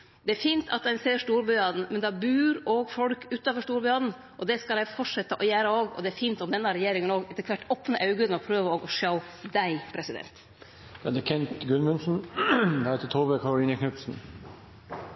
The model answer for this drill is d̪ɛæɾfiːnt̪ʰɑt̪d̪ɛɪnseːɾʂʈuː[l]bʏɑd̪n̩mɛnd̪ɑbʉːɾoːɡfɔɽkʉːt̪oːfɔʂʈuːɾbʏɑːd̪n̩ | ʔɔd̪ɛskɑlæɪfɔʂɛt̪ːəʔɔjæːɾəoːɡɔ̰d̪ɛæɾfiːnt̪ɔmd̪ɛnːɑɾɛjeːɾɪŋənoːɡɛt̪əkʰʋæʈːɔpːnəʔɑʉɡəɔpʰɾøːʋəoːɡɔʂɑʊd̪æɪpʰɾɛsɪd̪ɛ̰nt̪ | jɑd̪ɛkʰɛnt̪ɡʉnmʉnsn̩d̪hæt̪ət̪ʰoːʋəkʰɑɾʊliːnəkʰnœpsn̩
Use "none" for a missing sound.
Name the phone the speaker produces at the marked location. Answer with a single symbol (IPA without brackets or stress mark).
ɾ